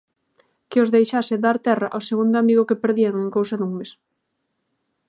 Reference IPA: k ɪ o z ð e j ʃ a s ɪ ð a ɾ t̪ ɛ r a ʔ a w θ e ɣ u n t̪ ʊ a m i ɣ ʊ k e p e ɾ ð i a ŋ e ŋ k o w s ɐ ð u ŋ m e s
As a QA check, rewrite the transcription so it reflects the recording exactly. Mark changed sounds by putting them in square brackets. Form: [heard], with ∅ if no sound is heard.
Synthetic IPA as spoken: k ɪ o z ð e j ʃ a s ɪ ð a ɾ t̪ ɛ r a ʔ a w [s] e ɣ u n [d̪] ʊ a m i ɣ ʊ k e p e ɾ ð i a ŋ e ŋ k o w s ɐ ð u ŋ m e s

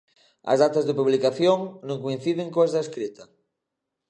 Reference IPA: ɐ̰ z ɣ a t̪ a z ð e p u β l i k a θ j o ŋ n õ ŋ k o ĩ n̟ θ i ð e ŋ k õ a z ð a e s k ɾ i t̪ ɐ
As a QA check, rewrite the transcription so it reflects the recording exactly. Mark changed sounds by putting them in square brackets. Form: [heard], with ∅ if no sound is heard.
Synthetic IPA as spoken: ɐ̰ z [ð] a t̪ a z ð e p u β l i k a θ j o ŋ n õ ŋ k o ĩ n̟ θ i ð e ŋ k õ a z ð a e s k ɾ i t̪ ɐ

